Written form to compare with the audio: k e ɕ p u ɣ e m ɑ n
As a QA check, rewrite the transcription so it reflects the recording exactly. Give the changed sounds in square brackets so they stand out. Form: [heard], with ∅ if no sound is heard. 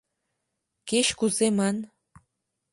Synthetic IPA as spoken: k e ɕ [k] u [z] e m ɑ n